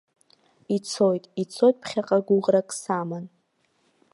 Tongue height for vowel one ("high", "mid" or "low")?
high